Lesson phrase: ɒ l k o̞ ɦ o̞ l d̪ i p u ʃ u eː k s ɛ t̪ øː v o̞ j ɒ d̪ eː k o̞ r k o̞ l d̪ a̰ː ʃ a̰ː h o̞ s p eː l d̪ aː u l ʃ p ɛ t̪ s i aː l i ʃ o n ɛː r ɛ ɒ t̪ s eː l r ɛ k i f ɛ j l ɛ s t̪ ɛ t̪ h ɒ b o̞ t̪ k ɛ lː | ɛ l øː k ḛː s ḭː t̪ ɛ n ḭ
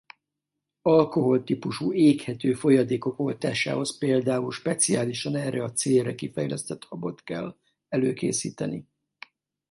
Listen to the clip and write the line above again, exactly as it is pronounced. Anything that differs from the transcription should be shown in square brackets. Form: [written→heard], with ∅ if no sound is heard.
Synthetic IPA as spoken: ɒ l k o̞ ɦ o̞ l [d̪→t̪] i p u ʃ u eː k [s→h] ɛ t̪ øː [v→f] o̞ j ɒ d̪ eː k o̞ [r→∅] k o̞ l [d̪→t̪] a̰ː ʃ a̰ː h o̞ s p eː l d̪ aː u l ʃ p ɛ t̪ s i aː l i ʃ [o→ɒ] n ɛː r ɛ ɒ t̪ s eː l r ɛ k i f ɛ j l ɛ s t̪ ɛ t̪ h ɒ b o̞ t̪ k ɛ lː | ɛ l øː k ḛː s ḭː t̪ ɛ n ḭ